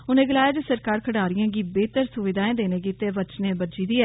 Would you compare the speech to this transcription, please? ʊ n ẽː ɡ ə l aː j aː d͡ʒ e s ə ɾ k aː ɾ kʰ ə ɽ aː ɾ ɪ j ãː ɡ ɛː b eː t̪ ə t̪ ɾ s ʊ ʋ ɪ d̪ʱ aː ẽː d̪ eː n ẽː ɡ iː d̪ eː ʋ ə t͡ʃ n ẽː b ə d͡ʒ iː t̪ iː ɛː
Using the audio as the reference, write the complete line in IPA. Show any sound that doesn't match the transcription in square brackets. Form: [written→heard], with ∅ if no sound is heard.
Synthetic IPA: ʊ n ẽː ɡ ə l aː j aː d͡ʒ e s ə ɾ k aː ɾ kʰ ə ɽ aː ɾ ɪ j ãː ɡ [ɛː→iː] b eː t̪ ə [t̪→∅] ɾ s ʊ ʋ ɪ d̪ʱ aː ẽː d̪ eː n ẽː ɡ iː [d̪→t̪] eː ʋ ə t͡ʃ n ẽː b ə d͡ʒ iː [t̪→d̪] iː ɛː